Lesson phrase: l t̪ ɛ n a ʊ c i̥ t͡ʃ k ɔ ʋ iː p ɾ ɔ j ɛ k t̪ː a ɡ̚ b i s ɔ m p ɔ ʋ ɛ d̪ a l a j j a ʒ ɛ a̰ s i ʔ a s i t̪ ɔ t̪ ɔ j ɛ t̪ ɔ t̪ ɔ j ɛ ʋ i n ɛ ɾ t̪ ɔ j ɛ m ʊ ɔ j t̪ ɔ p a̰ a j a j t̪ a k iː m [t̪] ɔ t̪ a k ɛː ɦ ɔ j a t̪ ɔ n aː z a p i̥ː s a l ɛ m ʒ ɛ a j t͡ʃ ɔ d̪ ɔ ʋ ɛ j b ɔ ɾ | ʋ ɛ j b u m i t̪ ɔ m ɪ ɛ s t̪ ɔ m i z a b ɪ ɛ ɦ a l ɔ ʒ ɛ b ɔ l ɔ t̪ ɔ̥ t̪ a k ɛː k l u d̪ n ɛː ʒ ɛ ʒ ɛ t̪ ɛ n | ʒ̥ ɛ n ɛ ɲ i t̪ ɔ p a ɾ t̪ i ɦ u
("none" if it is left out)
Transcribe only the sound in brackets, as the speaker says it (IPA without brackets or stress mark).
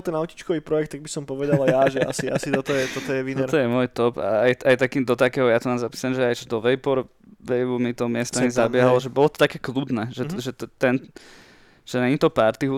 d̪